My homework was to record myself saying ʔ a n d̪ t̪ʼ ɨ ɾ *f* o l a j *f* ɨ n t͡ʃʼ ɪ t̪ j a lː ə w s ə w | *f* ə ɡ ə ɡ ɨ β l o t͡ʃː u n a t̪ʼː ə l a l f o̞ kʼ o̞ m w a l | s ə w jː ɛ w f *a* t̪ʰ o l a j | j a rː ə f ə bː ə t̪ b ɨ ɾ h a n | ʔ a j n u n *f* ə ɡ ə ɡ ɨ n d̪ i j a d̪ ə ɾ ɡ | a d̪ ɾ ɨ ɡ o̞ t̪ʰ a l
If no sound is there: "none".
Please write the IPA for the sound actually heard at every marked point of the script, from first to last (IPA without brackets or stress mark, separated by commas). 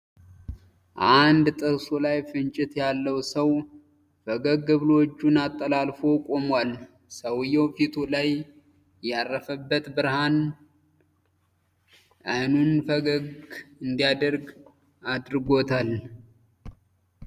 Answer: s, f, f, i, f